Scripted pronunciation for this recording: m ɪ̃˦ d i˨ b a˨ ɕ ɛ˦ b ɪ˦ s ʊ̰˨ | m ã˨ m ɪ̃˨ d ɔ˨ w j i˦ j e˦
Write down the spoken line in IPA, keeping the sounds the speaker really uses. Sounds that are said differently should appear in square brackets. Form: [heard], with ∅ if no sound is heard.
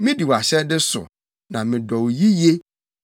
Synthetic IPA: m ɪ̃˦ d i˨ [w] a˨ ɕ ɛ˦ [d] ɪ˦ s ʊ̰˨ | [n] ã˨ m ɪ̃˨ d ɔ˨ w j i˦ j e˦